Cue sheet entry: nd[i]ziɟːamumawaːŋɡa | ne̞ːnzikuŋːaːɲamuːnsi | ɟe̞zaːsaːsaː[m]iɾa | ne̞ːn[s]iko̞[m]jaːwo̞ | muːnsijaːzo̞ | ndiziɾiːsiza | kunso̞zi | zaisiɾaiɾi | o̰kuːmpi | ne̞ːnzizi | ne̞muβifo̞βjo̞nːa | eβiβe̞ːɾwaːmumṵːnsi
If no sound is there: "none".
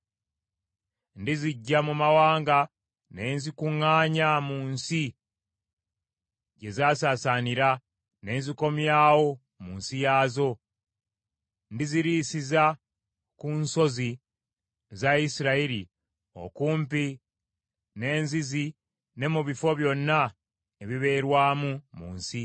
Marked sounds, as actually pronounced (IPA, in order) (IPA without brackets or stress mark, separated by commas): i, n, z, m